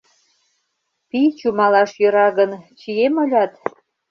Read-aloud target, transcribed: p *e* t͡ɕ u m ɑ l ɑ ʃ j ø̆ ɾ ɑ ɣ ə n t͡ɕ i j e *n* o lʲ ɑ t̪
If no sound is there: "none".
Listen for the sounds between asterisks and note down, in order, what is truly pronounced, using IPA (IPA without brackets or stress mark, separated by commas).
i, m